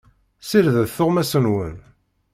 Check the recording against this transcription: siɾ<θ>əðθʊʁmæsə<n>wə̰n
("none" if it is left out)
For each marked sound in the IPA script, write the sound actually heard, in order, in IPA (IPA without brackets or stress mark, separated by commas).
ð, n